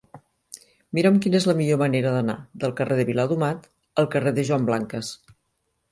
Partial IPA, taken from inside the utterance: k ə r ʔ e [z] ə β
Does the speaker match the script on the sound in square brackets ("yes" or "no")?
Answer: no